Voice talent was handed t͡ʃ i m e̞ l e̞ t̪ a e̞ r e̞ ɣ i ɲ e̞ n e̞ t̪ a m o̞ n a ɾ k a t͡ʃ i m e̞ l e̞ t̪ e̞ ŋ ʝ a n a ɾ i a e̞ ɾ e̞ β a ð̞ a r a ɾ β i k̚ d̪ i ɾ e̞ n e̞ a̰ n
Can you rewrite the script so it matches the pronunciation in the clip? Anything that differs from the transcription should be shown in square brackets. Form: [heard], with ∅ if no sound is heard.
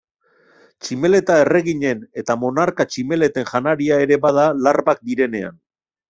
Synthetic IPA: t͡ʃ i m e̞ l e̞ t̪ a e̞ r e̞ ɣ i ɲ e̞ n e̞ t̪ a m o̞ n a ɾ k a t͡ʃ i m e̞ l e̞ t̪ e̞ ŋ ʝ a n a ɾ i a e̞ ɾ e̞ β a ð̞ a [l] a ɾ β [a] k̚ d̪ i ɾ e̞ n e̞ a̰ n